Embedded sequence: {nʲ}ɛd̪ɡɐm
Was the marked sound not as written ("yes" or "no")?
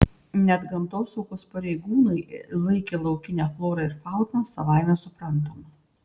no